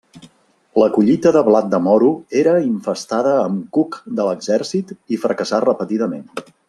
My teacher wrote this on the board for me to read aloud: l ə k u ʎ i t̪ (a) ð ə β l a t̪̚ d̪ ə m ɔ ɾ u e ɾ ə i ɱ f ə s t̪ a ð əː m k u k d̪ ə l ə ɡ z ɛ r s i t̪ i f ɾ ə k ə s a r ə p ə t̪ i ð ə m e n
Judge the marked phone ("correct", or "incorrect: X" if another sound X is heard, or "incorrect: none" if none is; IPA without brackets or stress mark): incorrect: ə